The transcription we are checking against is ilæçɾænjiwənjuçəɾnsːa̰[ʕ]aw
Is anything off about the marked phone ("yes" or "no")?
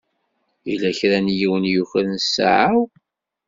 no